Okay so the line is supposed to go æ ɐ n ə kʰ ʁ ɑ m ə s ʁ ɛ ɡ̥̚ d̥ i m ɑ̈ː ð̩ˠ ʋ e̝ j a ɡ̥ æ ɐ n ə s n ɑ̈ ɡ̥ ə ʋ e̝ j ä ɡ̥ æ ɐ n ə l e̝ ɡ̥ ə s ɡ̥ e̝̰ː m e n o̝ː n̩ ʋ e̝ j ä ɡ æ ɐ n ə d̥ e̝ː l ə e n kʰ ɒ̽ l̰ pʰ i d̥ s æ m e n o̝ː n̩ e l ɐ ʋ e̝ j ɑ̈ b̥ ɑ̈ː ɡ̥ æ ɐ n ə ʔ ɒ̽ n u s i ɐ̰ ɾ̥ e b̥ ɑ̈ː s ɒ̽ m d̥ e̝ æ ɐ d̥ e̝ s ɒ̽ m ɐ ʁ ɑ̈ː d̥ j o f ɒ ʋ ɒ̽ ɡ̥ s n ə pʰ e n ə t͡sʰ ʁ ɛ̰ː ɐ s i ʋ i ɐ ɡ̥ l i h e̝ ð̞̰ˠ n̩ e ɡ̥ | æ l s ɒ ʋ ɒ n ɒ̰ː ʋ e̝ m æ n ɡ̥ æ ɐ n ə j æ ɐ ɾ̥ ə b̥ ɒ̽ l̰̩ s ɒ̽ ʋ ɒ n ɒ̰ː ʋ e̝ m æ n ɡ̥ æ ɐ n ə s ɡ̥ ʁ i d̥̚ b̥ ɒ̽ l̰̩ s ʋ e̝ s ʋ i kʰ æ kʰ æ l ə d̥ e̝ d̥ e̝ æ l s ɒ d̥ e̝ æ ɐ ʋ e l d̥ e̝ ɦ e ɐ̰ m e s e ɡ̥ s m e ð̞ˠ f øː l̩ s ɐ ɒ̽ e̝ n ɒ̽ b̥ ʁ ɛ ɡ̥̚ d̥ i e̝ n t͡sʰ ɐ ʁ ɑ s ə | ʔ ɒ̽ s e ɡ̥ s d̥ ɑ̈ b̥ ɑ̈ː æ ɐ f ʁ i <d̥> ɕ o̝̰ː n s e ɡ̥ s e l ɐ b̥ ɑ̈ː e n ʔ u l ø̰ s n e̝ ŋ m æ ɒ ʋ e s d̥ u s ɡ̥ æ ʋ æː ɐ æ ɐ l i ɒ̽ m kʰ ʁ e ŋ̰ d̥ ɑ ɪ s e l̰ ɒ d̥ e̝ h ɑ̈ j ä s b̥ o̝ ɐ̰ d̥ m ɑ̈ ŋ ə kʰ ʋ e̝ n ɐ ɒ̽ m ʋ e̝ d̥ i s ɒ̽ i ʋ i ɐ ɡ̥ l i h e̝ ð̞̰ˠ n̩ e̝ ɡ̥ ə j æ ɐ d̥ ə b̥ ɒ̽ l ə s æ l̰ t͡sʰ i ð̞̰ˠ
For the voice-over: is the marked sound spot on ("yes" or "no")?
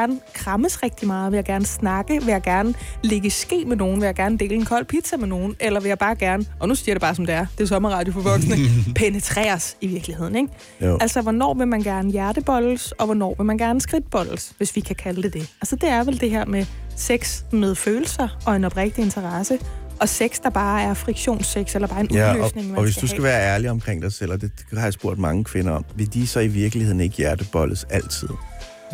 no